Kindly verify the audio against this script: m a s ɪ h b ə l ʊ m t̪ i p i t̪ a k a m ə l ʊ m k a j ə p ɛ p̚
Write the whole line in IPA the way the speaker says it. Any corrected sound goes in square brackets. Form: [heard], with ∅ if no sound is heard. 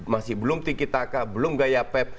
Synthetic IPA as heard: m a s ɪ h b ə l ʊ m t̪ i [k] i t̪ a k a [b] ə l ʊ m [ɡ] a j [a] p ɛ p̚